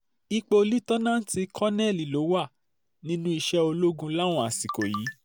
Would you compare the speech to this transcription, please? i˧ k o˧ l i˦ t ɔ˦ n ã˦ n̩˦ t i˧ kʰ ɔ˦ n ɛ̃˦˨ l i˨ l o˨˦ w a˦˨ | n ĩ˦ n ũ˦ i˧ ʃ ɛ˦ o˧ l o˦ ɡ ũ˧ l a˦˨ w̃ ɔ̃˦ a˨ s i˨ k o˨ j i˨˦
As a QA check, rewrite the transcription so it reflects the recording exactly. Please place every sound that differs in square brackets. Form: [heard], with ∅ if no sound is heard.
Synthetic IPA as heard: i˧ [k͡p] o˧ l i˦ t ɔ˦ n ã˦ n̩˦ t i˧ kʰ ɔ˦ n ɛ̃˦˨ l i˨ l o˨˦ w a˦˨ | n ĩ˦ n ũ˦ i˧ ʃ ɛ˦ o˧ l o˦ ɡ ũ˧ l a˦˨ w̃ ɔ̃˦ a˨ s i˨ k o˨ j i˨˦